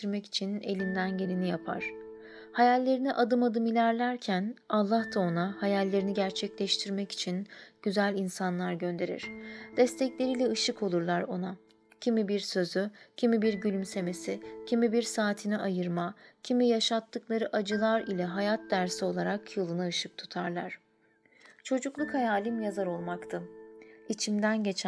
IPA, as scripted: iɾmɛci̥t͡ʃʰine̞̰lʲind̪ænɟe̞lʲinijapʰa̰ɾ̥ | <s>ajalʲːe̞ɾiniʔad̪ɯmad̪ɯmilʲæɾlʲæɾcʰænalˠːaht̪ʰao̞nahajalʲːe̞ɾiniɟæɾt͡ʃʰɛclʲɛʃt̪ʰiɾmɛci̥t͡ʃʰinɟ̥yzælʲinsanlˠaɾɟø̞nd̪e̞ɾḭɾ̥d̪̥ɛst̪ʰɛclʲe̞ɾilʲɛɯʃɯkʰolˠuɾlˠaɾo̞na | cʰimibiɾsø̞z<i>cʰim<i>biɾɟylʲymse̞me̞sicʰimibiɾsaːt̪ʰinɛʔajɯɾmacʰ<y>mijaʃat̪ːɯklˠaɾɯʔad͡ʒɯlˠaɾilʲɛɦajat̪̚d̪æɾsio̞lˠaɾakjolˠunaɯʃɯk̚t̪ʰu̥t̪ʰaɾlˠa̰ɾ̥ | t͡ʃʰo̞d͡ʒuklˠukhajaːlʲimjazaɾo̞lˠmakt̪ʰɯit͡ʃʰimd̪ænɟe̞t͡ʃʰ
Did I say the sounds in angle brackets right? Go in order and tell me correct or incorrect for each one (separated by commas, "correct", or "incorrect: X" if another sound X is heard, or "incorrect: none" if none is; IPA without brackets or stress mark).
incorrect: h, incorrect: y, correct, incorrect: i